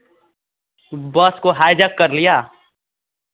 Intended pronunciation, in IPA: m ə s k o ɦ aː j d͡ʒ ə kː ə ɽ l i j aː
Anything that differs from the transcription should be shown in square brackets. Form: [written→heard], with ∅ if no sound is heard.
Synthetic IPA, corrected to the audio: [m→b] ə s k o ɦ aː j d͡ʒ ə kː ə [ɽ→ɾ] l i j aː